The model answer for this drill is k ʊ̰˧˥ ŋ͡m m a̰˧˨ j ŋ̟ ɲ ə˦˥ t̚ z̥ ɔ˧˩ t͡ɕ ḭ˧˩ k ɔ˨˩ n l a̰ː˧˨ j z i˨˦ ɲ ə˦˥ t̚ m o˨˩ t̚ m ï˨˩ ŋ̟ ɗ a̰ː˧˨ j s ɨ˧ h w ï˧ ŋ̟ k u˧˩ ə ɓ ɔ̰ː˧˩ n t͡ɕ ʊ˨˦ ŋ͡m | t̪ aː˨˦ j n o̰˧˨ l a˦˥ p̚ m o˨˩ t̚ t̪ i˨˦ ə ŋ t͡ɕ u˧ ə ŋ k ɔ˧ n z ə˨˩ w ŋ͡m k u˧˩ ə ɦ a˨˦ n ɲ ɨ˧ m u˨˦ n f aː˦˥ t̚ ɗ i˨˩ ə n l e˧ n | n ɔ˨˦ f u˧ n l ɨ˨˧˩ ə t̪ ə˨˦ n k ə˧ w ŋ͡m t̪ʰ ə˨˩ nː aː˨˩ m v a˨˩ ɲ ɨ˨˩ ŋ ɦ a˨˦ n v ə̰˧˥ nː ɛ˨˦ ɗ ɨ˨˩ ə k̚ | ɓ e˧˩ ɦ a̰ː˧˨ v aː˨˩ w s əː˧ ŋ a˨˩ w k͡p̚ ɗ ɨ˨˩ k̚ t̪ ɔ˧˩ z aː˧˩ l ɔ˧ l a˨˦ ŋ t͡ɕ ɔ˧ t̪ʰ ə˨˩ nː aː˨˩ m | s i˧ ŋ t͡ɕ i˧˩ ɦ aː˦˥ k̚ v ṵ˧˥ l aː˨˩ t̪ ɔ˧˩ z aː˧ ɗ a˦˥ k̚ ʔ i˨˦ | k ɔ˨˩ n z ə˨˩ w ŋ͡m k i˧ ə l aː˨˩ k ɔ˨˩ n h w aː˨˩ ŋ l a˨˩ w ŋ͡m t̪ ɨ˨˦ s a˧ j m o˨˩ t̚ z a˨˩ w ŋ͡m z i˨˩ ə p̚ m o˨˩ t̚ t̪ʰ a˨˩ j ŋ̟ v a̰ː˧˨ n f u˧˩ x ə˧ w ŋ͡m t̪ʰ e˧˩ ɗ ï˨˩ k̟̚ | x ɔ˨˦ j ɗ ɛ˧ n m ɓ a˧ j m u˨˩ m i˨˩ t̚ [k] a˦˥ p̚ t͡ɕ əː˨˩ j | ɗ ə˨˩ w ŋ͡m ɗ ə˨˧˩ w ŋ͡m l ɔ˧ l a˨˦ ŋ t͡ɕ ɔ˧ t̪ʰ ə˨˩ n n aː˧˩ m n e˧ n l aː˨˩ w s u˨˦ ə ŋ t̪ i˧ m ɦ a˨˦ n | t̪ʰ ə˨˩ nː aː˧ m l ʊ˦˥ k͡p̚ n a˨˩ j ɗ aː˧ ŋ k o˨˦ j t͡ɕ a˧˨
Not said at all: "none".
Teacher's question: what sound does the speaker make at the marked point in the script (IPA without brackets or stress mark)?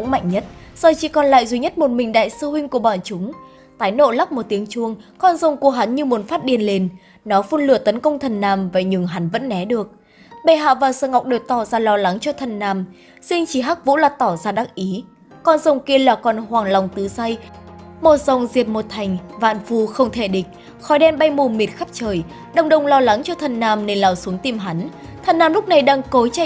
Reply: x